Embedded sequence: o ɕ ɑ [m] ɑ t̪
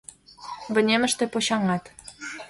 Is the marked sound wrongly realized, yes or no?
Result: yes